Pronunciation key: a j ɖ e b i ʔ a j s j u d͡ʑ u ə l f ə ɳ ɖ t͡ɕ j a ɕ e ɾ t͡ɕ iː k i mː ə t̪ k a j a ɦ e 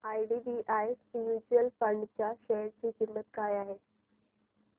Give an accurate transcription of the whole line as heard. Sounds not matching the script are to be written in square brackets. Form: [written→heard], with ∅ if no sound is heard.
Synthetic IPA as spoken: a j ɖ [e→i] b i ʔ a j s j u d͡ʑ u ə l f ə ɳ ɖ t͡ɕ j a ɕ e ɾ t͡ɕ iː k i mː ə t̪ k a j a ɦ e

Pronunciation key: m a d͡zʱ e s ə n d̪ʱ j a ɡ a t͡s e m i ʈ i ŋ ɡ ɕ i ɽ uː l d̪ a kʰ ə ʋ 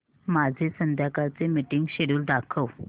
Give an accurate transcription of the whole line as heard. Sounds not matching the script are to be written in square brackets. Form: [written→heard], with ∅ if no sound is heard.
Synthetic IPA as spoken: m a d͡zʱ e s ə n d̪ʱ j a [ɡ→k] a t͡s e m i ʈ i ŋ ɡ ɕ [i→e] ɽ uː l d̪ a kʰ ə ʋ

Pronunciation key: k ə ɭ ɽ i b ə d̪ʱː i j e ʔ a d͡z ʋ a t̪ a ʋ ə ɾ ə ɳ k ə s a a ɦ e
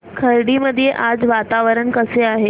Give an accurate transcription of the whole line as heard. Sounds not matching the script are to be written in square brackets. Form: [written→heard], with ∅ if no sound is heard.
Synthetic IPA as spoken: [k→kʰ] ə [ɭ→ɾ] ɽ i [b→m] ə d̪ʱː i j e ʔ a d͡z ʋ a t̪ a ʋ ə ɾ ə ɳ k ə s [a→e] a ɦ e

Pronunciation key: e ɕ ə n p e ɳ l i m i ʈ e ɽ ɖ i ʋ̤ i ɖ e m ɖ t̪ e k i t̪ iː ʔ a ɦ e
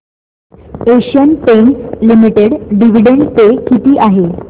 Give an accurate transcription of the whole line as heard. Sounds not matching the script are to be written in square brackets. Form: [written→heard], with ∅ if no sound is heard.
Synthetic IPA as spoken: e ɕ ə n p e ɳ l i m i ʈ e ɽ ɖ i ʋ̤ i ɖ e [m→ɳ] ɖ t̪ e k i t̪ iː ʔ a ɦ e

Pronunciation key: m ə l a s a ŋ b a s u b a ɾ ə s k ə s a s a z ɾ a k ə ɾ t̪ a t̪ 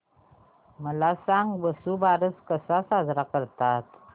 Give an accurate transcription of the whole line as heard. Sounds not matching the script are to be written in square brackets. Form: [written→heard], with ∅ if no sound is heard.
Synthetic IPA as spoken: m ə l a s a ŋ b [a→ə] s u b a ɾ ə s k ə s a s a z ɾ a k ə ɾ t̪ a t̪

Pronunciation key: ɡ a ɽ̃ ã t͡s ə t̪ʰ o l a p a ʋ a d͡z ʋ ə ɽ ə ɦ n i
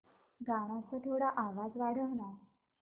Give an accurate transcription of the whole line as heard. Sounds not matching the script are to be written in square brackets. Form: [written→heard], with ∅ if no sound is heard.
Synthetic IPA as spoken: ɡ a ɽ̃ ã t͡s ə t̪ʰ o [l→ɽ] a [p→ʔ] a ʋ a d͡z ʋ [ə→a] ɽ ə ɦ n [i→a]

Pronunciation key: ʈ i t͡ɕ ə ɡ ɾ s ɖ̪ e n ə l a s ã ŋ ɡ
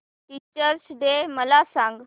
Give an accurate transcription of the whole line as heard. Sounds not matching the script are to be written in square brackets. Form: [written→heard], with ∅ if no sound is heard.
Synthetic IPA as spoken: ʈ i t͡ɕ ə [ɡ→∅] ɾ s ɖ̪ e [n→m] ə l a s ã ŋ ɡ

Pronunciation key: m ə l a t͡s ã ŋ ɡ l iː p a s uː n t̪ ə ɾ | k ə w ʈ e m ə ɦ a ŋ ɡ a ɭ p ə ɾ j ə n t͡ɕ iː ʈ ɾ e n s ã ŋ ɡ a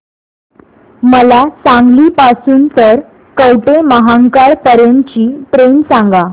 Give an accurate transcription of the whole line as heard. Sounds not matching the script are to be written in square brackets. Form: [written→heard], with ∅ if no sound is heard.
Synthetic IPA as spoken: m ə l a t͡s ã ŋ ɡ l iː p a s uː n t̪ ə ɾ | k ə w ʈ e m ə ɦ a ŋ [ɡ→k] a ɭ p ə ɾ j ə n t͡ɕ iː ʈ ɾ e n s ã ŋ ɡ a

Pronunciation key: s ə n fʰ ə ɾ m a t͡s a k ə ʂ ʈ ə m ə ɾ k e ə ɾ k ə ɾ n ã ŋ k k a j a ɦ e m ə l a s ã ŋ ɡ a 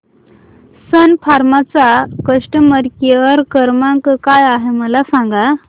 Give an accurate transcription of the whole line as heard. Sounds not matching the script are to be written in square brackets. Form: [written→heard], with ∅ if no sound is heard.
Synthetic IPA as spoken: s ə n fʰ [ə→a] ɾ m a t͡s a k ə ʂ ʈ ə m ə ɾ k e ə ɾ k ə ɾ [n→m] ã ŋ k k a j a ɦ e m ə l a s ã ŋ ɡ a

